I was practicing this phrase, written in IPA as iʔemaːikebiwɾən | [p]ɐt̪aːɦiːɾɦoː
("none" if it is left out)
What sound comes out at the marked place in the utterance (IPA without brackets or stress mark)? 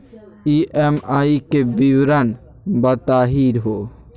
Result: b